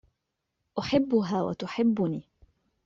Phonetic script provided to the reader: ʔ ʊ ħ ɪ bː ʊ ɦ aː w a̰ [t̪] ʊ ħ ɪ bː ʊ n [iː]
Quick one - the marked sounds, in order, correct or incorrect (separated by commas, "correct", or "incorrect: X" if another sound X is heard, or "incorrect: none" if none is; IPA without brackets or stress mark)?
correct, correct